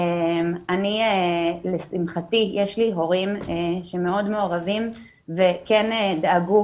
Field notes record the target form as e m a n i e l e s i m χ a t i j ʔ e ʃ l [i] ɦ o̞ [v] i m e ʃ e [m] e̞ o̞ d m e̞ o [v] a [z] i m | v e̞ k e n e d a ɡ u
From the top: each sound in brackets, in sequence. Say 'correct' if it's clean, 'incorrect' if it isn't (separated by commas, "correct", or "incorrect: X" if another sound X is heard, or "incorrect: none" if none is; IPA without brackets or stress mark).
correct, incorrect: ʁ, correct, incorrect: ʁ, incorrect: v